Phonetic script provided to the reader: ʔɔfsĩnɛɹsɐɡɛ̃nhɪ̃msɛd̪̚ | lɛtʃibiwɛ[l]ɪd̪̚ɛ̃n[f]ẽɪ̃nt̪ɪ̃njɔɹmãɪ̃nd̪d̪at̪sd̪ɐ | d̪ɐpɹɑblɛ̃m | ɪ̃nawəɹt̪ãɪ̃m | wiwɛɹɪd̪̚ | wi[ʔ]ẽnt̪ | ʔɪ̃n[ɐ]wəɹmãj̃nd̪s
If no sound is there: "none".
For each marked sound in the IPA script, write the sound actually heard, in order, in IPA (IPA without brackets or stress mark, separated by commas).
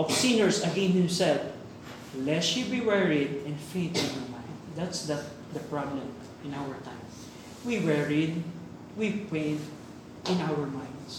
ɹ, f, p, a